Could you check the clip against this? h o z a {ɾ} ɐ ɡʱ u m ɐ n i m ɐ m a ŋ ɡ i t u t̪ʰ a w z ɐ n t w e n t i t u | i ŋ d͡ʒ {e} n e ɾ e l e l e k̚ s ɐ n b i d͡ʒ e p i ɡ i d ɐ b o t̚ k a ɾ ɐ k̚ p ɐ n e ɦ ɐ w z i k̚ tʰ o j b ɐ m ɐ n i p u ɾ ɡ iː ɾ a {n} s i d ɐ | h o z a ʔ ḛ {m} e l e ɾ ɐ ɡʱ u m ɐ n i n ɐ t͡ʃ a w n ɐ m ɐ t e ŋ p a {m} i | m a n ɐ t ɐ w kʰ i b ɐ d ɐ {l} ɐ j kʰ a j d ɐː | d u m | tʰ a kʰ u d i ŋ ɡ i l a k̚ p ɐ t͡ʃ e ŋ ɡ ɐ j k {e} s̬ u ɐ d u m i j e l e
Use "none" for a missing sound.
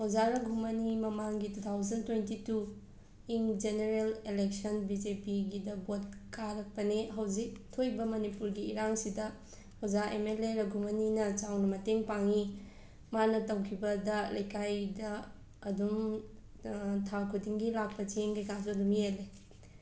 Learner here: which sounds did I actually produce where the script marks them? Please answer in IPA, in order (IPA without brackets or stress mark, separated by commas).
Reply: ɾ, e, ŋ, m, ŋ, l, a